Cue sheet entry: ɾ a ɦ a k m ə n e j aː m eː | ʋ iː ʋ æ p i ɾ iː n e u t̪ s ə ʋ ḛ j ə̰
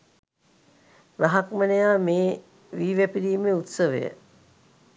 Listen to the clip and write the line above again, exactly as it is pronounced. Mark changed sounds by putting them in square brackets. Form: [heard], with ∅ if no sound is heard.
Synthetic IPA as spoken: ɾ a ɦ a k m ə n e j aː m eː | ʋ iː ʋ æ p i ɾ iː [m] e u t̪ s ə ʋ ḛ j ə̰